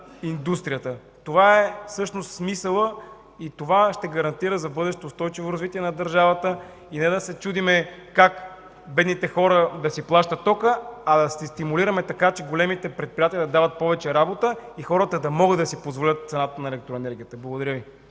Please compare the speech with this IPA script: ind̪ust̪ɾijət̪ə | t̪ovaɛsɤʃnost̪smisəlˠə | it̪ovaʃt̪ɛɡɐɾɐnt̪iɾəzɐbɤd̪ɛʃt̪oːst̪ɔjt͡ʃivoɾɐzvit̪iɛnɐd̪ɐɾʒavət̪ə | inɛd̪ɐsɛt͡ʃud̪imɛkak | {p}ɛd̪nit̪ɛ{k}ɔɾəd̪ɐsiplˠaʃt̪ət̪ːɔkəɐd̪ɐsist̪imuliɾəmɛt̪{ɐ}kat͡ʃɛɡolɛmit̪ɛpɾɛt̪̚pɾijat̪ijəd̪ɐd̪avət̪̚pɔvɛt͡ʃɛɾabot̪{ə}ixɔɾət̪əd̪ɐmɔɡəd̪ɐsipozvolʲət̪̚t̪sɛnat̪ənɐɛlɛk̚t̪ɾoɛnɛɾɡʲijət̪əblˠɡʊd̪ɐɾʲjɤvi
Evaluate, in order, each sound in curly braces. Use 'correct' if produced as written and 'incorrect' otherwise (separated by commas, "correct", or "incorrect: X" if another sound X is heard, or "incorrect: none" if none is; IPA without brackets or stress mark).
incorrect: b, incorrect: x, correct, correct